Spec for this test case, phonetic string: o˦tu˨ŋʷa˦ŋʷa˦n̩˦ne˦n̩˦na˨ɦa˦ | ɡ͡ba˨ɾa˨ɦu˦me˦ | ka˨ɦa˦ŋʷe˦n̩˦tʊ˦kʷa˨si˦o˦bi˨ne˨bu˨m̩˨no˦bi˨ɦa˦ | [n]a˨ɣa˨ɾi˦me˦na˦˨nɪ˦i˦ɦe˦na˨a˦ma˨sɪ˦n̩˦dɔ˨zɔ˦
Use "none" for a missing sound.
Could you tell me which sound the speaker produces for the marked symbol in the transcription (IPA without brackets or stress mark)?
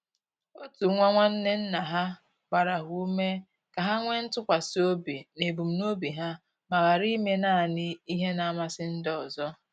m